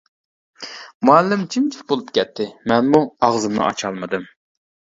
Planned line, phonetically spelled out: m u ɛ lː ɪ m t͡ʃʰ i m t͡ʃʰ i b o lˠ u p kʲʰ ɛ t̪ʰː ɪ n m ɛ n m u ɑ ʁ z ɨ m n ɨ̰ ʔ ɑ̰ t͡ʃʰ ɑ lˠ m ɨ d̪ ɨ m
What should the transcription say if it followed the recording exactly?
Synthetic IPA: m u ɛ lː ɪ m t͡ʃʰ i m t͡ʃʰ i b o lˠ u p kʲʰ ɛ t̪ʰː ɪ m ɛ n m u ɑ ʁ z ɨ m n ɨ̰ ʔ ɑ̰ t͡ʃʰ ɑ lˠ m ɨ d̪ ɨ m